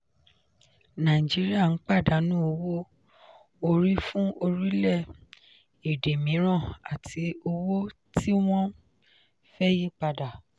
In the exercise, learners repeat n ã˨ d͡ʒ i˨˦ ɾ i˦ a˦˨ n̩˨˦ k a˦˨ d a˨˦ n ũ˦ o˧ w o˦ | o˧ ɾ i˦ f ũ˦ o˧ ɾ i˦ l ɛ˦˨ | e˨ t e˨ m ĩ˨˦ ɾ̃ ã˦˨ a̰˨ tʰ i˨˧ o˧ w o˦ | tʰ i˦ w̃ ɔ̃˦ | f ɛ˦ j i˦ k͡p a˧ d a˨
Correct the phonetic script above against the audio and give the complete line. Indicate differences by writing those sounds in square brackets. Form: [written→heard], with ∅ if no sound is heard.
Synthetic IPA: n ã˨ d͡ʒ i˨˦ ɾ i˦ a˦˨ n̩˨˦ [k→k͡p] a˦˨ d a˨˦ n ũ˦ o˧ w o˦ | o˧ ɾ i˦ f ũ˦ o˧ ɾ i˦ l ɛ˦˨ | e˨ [t→d] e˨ m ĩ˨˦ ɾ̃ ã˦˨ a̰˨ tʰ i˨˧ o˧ w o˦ | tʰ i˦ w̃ ɔ̃˦ | f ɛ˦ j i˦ k͡p a˧ d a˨